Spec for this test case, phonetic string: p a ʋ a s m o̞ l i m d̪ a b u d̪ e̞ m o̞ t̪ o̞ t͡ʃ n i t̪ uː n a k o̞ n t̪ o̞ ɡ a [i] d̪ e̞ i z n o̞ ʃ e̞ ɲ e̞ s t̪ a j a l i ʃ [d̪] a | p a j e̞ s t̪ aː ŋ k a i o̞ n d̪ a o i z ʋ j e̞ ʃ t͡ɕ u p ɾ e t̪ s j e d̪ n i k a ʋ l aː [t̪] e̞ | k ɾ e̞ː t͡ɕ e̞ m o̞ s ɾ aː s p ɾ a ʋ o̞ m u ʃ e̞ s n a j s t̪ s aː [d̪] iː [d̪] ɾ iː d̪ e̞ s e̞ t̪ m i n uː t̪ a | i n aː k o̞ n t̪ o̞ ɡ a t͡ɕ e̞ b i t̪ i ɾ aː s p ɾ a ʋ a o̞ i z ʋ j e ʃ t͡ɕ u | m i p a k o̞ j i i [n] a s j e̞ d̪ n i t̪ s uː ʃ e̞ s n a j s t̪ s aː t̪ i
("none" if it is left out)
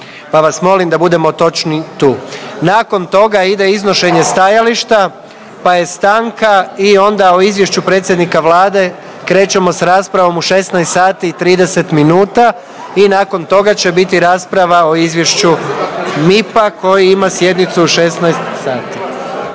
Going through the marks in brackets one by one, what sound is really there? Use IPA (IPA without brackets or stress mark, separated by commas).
i, t̪, d̪, t̪, t̪, m